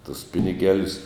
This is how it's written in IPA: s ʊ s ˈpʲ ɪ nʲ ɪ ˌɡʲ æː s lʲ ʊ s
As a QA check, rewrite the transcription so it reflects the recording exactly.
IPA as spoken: t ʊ s ˈpʲ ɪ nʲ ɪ ˌɡʲ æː lʲ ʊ s